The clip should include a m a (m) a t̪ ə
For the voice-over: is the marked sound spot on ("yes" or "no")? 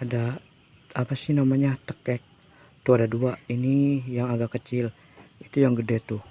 no